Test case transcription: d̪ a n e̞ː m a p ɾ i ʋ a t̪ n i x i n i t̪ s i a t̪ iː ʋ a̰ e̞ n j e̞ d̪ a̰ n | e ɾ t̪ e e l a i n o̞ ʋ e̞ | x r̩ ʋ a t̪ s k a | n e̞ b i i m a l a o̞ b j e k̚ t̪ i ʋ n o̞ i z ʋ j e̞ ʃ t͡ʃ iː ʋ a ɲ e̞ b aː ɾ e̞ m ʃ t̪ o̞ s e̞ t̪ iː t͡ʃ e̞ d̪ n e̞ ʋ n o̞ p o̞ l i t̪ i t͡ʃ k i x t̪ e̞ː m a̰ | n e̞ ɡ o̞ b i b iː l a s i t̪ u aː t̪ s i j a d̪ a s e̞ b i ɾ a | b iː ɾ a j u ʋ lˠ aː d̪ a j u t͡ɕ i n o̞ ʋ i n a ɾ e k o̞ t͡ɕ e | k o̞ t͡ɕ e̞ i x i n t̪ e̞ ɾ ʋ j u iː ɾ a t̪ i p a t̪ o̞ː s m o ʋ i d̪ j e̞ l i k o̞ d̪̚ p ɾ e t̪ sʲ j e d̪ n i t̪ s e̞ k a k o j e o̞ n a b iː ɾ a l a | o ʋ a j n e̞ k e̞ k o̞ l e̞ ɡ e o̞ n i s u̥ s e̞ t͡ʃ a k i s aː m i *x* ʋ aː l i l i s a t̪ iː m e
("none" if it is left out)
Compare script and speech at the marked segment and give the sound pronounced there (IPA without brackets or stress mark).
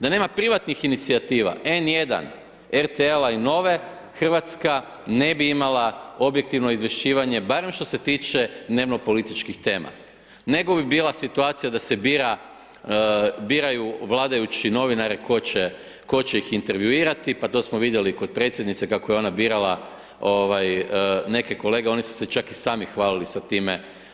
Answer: x